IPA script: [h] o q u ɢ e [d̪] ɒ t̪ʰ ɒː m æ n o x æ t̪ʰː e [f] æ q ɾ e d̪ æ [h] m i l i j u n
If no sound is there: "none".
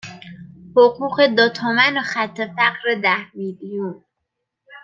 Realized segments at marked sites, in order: h, d̪, f, h

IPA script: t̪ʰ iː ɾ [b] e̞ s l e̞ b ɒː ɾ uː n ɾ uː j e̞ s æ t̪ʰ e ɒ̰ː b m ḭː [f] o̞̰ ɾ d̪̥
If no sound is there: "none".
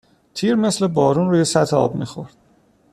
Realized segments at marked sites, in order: m, x

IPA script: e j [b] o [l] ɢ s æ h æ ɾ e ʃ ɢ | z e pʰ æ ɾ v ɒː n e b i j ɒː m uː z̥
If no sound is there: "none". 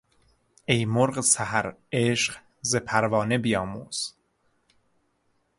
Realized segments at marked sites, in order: m, ɾ

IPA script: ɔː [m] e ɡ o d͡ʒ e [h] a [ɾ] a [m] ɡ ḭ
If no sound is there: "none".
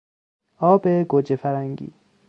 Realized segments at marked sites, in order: b, f, ɾ, ŋ

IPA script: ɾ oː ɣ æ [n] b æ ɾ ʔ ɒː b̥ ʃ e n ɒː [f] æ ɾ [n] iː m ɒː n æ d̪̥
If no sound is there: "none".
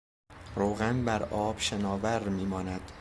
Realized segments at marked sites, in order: n, v, m

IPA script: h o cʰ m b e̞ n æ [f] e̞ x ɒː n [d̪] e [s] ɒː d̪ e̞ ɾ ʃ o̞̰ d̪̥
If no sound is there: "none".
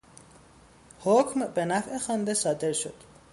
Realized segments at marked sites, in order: f, d̪, s

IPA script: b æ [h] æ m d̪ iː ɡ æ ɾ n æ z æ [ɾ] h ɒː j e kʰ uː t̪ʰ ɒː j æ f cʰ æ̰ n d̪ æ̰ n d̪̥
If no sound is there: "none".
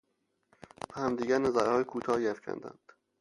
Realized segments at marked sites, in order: h, ɾ

